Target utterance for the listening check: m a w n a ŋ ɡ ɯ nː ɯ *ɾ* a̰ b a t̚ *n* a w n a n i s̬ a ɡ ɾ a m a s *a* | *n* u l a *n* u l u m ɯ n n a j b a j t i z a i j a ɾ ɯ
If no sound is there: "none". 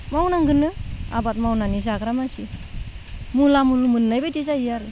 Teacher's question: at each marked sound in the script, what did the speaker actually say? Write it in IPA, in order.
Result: none, m, i, m, m

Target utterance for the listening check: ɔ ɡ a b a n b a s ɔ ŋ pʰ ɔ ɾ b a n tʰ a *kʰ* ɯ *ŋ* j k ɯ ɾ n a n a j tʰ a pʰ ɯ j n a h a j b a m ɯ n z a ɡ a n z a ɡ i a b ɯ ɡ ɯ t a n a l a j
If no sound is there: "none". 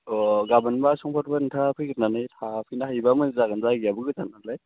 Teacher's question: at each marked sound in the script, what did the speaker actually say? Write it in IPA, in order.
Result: pʰ, none

